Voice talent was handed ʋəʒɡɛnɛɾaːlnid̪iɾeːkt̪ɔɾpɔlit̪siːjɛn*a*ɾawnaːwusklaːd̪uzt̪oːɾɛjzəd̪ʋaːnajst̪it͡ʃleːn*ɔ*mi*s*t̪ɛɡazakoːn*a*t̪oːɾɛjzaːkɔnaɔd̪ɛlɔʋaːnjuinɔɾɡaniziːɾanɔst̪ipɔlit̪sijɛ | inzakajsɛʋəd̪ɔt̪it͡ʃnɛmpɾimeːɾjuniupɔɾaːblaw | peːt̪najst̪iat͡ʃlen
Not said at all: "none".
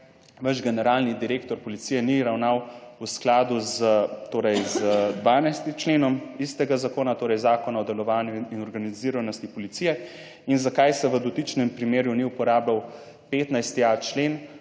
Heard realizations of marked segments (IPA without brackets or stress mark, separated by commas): i, ɔ, s, a